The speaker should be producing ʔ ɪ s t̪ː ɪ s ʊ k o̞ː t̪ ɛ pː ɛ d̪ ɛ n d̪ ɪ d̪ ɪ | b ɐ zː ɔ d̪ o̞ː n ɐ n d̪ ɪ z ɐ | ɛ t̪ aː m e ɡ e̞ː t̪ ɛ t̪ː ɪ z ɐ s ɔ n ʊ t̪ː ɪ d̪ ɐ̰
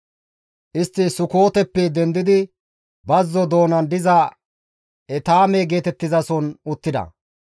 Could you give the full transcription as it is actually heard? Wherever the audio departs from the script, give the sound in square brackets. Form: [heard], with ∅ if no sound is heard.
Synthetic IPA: ʔ ɪ s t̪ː ɪ s ʊ k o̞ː t̪ ɛ pː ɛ d̪ ɛ n d̪ ɪ d̪ ɪ | b ɐ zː ɔ d̪ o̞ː n ɐ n d̪ ɪ z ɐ | ɛ t̪ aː m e ɡ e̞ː t̪ ɛ t̪ː ɪ z ɐ s ɔ n ʊ t̪ː ɪ d̪ ɐ̰